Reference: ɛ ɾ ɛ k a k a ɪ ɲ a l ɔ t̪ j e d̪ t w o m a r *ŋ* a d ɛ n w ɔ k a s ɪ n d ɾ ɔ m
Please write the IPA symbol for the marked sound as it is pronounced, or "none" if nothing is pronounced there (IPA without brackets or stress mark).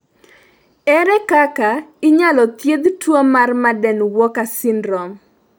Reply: m